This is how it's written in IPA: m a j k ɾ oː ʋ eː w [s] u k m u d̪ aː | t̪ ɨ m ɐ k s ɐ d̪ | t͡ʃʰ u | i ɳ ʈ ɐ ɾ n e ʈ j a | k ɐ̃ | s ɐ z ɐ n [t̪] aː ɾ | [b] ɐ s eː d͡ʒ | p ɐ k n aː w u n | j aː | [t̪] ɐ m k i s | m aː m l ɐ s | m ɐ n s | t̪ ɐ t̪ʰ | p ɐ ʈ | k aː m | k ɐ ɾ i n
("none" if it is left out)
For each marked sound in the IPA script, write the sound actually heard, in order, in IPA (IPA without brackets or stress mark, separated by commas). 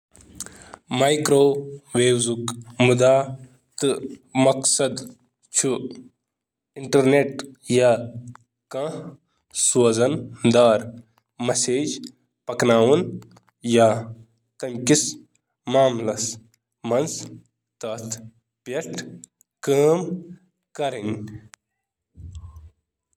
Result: z, d̪, m, t̪